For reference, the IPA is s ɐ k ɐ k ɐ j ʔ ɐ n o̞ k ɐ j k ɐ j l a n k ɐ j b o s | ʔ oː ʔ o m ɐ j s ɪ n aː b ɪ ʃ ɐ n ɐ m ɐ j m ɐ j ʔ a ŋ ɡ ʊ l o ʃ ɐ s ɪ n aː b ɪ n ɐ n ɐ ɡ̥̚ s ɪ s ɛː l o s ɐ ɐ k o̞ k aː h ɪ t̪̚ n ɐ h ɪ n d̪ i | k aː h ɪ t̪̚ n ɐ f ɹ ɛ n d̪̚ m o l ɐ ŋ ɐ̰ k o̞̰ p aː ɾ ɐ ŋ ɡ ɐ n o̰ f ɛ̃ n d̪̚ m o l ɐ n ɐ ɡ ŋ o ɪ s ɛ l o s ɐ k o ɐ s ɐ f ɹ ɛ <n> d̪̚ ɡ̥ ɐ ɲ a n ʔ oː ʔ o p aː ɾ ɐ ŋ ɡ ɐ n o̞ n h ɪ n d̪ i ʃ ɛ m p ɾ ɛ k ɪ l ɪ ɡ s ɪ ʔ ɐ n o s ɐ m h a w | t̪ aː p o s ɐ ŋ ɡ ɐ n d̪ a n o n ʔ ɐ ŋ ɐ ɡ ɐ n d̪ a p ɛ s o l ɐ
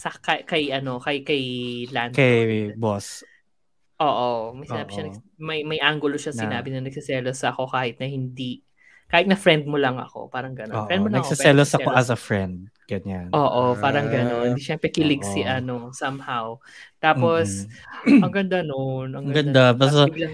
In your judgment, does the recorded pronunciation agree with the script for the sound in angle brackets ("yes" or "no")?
yes